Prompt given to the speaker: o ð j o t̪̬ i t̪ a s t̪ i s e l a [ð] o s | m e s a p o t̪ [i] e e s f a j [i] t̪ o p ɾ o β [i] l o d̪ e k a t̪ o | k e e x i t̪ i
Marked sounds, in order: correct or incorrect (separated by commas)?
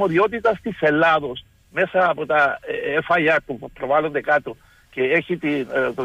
correct, incorrect, incorrect, incorrect